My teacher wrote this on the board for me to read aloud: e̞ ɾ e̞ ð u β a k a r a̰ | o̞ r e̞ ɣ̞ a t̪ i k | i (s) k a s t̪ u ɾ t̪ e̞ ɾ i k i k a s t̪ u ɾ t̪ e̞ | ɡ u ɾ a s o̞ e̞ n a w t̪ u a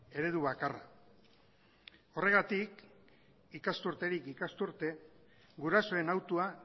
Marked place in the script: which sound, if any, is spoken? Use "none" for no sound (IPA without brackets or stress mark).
none